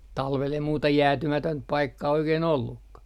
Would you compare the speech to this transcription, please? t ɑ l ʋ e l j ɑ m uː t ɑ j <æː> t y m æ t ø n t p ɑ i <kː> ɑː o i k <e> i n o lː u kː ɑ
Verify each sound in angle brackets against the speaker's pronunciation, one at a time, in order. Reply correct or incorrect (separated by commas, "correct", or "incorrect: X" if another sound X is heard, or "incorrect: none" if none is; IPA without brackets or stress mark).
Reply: correct, correct, correct